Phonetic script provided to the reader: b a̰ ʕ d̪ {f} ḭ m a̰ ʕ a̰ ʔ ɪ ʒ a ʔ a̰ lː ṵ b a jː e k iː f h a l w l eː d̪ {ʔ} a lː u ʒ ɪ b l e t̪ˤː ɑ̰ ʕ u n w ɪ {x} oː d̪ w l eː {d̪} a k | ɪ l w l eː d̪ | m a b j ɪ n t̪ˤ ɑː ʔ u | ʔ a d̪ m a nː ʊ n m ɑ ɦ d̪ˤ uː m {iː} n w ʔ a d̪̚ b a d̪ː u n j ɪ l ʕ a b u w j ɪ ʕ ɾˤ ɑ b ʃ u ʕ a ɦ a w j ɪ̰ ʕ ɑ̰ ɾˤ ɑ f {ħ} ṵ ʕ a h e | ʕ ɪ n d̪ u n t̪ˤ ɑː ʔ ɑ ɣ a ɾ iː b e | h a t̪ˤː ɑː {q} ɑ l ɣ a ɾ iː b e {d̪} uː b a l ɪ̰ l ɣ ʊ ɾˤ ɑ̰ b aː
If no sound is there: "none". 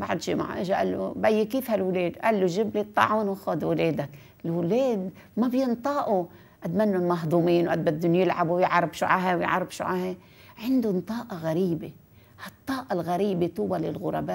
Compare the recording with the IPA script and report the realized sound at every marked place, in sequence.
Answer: ʃ, ʔ, x, d̪, iː, ʃ, ʔ, t̪

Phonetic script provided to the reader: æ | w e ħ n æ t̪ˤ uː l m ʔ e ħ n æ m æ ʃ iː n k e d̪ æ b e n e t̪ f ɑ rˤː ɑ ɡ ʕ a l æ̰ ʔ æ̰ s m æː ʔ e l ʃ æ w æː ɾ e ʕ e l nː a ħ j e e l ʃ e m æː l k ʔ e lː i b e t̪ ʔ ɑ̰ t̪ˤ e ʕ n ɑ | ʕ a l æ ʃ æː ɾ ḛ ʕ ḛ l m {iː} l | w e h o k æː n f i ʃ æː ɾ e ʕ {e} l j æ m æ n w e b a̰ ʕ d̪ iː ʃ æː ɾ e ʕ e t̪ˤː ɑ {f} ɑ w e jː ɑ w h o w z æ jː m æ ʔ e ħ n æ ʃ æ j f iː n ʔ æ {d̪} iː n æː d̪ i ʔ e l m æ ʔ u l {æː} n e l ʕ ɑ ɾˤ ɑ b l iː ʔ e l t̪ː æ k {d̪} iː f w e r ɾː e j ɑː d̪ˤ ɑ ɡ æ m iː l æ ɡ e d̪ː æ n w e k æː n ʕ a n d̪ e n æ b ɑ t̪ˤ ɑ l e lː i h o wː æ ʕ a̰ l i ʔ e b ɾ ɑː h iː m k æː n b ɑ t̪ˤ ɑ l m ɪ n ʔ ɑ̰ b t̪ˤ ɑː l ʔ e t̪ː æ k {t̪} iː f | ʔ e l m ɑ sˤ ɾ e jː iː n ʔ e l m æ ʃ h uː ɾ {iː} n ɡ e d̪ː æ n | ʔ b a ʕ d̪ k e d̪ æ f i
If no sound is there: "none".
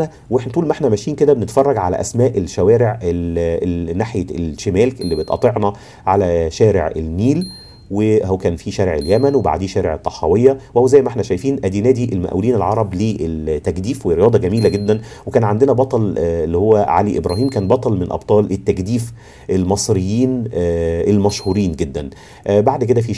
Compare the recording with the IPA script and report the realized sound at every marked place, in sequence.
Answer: iː, e, ħ, d̪, iː, d̪, d̪, iː

